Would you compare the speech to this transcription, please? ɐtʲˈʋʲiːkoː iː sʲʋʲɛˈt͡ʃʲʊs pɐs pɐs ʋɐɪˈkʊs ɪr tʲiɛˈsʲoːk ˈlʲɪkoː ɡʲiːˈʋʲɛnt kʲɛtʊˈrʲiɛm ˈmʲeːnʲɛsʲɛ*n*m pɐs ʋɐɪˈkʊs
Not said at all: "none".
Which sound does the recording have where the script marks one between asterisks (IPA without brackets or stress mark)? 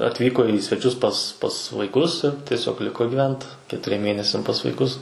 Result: none